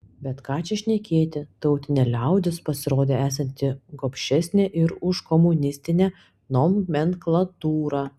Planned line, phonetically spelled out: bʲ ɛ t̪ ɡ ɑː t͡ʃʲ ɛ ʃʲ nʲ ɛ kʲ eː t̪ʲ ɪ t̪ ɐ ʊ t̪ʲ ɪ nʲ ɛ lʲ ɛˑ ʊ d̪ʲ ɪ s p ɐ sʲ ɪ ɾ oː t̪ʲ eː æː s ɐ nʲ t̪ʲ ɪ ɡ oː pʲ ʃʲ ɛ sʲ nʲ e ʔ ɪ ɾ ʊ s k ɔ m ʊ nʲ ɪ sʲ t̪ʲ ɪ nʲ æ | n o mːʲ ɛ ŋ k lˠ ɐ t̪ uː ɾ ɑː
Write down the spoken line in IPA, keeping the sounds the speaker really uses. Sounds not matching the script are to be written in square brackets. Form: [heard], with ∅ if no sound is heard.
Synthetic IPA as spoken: bʲ ɛ t̪ [k] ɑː t͡ʃʲ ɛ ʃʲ nʲ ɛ kʲ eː t̪ʲ ɪ t̪ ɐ ʊ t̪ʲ ɪ nʲ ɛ lʲ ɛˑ ʊ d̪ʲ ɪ s p ɐ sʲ ɪ ɾ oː [d̪ʲ] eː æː s ɐ nʲ t̪ʲ ɪ ɡ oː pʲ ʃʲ ɛ sʲ nʲ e ʔ ɪ ɾ ʊ [ʃ] k ɔ m ʊ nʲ ɪ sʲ t̪ʲ ɪ nʲ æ | n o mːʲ ɛ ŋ k lˠ ɐ t̪ uː ɾ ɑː

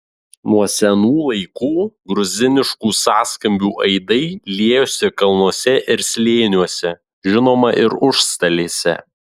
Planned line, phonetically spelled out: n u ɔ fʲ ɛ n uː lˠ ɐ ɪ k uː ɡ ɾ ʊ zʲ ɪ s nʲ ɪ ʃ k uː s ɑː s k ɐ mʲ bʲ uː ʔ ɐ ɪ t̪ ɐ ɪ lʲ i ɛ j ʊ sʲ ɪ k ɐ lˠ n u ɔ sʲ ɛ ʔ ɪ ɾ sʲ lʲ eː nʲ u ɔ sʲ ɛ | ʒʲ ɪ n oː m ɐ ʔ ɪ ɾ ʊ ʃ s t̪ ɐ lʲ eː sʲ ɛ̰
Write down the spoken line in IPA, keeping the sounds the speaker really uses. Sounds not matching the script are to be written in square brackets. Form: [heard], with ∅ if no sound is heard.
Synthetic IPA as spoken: n u ɔ [sʲ] ɛ n uː lˠ ɐ ɪ k uː ɡ ɾ ʊ zʲ ɪ [∅] nʲ ɪ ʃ k uː s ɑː s k ɐ mʲ bʲ uː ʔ ɐ ɪ [d̪] ɐ ɪ lʲ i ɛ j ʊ sʲ ɪ k ɐ lˠ n u ɔ sʲ ɛ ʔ ɪ ɾ sʲ lʲ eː nʲ u ɔ sʲ ɛ | ʒʲ ɪ n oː m ɐ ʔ ɪ ɾ ʊ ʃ s t̪ ɐ lʲ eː sʲ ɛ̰

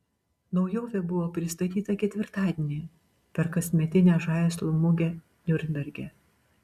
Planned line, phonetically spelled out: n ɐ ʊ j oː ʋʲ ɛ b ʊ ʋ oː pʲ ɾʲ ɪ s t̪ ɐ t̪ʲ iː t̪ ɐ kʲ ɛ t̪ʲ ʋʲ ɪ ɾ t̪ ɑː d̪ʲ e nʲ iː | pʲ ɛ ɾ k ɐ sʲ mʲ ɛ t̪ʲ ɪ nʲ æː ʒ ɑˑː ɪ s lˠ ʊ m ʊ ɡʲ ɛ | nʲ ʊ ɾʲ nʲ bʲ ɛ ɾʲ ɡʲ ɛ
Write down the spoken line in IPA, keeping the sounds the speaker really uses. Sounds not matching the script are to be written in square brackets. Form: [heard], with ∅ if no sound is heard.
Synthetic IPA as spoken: n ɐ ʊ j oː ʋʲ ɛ b ʊ ʋ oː pʲ ɾʲ ɪ s t̪ ɐ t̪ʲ iː t̪ ɐ kʲ ɛ t̪ʲ ʋʲ ɪ ɾ t̪ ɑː d̪ʲ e nʲ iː | pʲ ɛ ɾ k ɐ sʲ mʲ ɛ t̪ʲ ɪ nʲ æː ʒ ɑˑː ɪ s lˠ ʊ m ʊ ɡʲ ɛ | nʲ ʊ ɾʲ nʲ bʲ ɛ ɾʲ ɡʲ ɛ

